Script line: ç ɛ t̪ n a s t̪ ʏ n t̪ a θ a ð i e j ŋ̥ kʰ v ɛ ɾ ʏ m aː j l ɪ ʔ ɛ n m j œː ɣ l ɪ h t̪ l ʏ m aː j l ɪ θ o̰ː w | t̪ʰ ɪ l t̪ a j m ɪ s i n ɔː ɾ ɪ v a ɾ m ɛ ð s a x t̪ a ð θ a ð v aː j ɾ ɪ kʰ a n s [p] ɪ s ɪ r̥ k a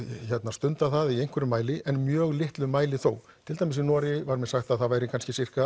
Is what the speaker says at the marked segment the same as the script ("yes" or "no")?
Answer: no